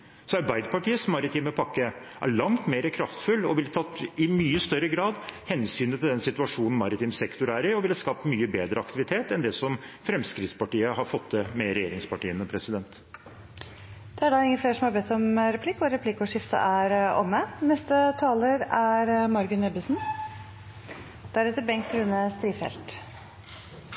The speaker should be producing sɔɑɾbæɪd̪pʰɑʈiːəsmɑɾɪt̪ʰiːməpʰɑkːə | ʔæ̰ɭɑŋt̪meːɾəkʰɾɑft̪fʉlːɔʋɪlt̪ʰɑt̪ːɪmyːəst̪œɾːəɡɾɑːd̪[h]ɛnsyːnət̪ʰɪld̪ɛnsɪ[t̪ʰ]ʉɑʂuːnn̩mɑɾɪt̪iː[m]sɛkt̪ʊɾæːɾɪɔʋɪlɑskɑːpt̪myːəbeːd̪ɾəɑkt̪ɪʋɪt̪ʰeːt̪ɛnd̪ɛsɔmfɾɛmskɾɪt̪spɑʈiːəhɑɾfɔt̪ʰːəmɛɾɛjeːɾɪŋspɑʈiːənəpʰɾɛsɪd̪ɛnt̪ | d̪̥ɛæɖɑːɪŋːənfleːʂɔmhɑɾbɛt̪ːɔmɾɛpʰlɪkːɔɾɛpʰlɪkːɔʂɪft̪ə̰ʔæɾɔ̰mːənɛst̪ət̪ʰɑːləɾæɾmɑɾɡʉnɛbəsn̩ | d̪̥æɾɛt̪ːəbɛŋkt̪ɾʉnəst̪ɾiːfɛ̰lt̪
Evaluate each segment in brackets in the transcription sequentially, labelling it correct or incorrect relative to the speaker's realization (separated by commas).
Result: correct, incorrect, correct